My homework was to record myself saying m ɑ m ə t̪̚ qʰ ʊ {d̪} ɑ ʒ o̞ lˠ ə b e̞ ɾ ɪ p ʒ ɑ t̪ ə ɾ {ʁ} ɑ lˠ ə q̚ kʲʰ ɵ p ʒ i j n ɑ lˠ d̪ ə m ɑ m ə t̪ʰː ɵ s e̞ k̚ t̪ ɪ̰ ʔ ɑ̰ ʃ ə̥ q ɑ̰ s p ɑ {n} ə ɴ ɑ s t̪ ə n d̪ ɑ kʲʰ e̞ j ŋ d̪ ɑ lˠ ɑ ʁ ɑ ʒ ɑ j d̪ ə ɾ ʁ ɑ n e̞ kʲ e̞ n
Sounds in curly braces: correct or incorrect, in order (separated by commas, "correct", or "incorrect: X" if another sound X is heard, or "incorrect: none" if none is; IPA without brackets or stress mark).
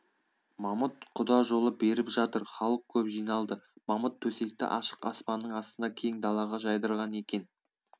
correct, incorrect: χ, incorrect: nː